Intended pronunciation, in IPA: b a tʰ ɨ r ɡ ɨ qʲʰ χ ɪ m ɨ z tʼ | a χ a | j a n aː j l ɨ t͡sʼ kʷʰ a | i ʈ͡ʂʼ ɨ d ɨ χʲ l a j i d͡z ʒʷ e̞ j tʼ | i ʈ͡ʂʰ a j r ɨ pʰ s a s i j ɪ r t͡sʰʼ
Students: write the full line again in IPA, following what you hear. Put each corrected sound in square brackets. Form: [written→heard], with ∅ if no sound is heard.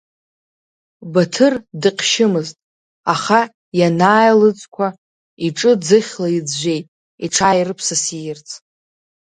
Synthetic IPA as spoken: b a tʰ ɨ r [ɡ→d] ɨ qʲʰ [χ→ʃ] ɪ m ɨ z tʼ | a χ a | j a n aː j l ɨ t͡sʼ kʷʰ a | i ʈ͡ʂʼ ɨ [d→d͡z] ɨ χʲ l a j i d͡z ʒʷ e̞ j tʼ | i ʈ͡ʂʰ a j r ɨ pʰ s a s i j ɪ r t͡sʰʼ